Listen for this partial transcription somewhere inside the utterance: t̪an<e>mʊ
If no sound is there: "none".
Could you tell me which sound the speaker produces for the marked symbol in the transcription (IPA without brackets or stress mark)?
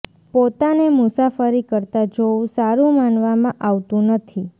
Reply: e